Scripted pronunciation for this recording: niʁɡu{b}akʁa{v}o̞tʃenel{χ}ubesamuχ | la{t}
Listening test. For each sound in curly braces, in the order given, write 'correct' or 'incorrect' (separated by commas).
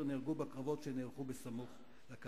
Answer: correct, correct, correct, incorrect